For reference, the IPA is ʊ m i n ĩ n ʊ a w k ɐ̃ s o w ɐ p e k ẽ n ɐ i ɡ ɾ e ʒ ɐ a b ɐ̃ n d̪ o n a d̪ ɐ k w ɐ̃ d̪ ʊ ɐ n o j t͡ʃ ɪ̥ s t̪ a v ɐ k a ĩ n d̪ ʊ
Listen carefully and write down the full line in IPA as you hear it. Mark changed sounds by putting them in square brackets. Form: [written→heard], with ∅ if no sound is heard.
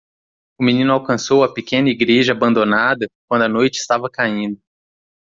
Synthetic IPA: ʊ m i n ĩ n ʊ a w k ɐ̃ s o w ɐ p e k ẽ n ɐ i ɡ ɾ e ʒ ɐ a b ɐ̃ n d̪ o n a d̪ ɐ k w ɐ̃ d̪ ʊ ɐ n o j t͡ʃ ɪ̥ s t̪ a v ɐ k a ĩ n d̪ ʊ